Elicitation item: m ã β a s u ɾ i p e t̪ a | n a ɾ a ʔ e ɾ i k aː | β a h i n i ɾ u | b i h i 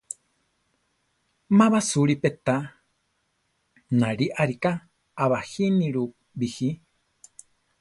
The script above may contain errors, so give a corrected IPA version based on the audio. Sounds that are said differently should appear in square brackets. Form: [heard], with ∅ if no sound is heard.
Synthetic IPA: m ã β a s u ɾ i p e t̪ a | n a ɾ [i] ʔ [a] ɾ i k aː | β a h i n i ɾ u | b i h i